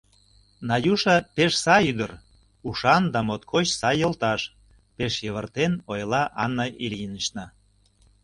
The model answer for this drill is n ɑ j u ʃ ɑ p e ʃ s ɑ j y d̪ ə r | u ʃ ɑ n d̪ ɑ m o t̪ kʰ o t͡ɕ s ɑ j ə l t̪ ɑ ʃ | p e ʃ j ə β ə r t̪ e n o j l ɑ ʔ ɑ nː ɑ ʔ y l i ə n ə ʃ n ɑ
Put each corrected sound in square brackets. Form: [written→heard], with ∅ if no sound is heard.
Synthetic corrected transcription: n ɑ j u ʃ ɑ p e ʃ s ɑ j y d̪ ə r | u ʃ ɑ n d̪ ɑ m o t̪ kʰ o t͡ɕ s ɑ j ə l t̪ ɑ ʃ | p e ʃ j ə β ə r t̪ e n o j l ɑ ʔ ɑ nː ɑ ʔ [y→i] l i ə n ə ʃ n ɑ